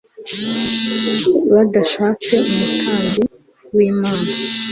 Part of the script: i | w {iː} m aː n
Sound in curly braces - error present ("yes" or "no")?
no